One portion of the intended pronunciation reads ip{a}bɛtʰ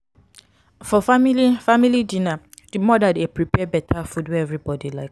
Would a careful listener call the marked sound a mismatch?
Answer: yes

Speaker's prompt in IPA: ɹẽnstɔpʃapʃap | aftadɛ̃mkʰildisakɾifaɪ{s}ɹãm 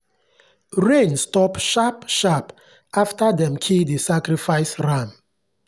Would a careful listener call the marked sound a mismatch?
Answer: no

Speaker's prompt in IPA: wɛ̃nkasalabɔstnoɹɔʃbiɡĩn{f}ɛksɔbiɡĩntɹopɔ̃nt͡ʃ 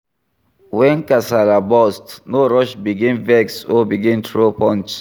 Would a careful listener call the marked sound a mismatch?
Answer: yes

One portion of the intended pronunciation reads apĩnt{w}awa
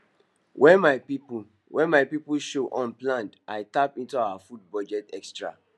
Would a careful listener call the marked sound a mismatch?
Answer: yes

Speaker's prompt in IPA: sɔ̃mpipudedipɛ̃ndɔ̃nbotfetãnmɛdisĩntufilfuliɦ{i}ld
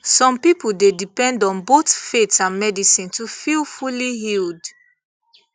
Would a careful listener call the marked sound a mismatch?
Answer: no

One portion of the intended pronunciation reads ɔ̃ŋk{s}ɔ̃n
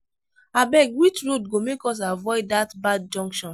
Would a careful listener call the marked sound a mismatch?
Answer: yes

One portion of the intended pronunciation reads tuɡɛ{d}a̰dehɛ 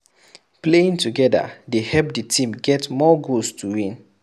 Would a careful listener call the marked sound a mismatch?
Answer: no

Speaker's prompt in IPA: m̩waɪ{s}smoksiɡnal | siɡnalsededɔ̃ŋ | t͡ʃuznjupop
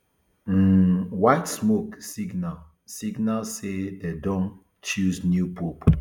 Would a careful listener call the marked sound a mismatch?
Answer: yes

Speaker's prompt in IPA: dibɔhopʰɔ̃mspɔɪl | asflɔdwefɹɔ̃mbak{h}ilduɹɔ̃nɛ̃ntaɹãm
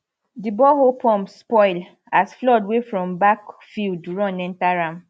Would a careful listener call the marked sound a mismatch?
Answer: yes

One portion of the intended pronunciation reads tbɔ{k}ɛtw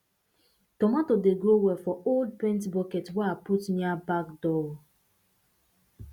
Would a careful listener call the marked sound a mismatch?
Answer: no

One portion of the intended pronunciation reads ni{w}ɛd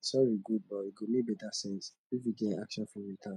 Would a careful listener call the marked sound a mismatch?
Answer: yes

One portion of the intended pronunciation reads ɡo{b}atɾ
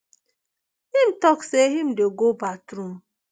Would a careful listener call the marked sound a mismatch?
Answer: no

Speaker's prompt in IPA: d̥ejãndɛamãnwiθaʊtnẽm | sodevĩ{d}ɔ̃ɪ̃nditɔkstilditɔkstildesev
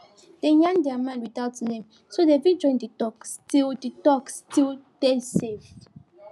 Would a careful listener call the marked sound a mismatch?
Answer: yes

